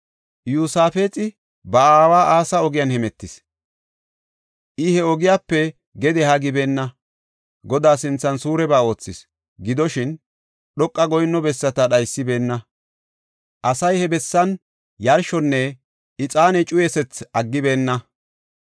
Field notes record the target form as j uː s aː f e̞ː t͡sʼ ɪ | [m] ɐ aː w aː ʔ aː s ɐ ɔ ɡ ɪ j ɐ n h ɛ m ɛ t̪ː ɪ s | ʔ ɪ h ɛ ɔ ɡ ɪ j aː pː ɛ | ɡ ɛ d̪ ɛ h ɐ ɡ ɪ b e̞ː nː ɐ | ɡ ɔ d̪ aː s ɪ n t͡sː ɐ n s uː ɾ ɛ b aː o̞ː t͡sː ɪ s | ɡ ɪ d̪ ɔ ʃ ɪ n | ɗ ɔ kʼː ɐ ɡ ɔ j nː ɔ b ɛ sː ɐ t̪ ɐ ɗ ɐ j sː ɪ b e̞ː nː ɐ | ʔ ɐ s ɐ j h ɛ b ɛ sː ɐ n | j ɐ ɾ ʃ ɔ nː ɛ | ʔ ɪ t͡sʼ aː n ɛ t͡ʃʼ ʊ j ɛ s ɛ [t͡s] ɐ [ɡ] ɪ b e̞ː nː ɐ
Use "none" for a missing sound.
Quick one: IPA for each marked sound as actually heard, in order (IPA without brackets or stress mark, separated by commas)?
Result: b, t͡s, ɡː